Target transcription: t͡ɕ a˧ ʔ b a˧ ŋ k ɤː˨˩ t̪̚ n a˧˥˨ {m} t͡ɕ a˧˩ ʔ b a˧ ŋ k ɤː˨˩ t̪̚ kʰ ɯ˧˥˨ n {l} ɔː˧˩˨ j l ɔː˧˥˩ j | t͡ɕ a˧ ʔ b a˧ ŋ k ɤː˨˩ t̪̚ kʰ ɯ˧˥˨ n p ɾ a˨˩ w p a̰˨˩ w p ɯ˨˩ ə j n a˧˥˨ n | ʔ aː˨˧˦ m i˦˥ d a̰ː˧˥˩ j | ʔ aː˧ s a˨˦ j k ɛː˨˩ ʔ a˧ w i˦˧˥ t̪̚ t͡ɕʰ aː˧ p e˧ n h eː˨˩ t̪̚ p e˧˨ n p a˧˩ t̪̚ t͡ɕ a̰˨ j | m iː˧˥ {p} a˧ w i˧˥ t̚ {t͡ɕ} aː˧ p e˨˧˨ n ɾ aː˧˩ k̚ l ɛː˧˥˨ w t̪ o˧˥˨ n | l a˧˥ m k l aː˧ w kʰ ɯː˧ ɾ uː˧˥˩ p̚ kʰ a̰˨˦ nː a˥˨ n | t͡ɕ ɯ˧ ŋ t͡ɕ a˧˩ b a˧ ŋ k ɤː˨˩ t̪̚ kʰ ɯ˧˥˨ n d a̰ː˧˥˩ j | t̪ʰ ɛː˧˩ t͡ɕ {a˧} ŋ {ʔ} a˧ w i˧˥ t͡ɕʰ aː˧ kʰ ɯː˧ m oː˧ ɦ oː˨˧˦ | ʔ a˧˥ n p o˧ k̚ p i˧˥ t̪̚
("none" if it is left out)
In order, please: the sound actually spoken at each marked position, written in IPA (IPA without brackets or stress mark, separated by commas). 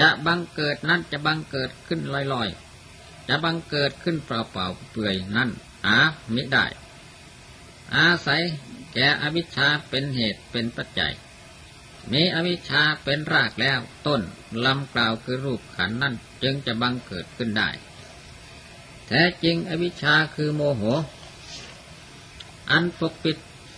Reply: n, l, ʔ, t͡ɕʰ, i˧, ʔ